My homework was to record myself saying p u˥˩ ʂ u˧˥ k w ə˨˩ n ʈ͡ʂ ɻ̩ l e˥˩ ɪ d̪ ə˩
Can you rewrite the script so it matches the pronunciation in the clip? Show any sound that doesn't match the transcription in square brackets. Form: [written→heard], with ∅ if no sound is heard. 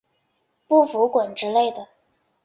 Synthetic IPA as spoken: p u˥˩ [ʂ→f] u˧˥ k w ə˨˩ n ʈ͡ʂ ɻ̩ l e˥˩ ɪ d̪ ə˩